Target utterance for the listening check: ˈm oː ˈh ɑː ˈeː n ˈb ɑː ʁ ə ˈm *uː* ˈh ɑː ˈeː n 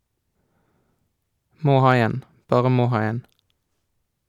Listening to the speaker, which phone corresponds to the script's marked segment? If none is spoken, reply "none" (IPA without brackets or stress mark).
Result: oː